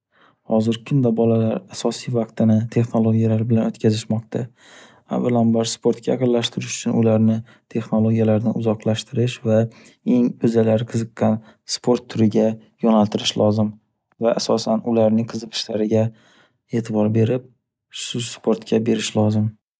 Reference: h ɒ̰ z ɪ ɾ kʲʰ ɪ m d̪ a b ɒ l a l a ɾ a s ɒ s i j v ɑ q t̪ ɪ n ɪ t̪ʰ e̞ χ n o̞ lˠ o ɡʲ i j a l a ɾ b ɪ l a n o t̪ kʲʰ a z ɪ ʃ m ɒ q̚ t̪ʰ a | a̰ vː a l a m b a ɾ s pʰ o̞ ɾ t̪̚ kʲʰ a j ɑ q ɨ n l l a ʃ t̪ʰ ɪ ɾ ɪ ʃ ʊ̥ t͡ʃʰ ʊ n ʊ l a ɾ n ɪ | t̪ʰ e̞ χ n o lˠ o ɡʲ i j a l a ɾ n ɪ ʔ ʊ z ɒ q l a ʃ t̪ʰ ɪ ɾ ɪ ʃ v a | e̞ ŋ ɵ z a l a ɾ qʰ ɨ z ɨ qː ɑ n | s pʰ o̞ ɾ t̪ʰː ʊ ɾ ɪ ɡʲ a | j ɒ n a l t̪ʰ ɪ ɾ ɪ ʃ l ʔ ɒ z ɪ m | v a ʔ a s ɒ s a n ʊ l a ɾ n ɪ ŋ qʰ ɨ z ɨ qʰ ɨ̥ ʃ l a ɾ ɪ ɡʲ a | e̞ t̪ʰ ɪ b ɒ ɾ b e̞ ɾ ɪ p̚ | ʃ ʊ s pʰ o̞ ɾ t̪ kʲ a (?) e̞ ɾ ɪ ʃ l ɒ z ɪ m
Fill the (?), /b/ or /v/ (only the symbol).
b